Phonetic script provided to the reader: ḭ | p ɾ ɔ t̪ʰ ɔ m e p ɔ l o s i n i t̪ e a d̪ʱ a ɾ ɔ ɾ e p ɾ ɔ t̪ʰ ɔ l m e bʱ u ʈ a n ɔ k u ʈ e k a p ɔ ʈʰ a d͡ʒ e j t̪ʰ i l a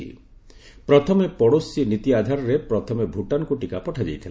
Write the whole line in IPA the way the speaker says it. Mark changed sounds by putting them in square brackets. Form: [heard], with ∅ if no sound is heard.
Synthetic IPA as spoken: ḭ | p ɾ ɔ t̪ʰ ɔ m e p ɔ [ɽ] o s i n i t̪ [i] a d̪ʱ a ɾ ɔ ɾ e p ɾ ɔ t̪ʰ ɔ [∅] m e bʱ u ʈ a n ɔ k u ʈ [i] k a p ɔ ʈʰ a d͡ʒ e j t̪ʰ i l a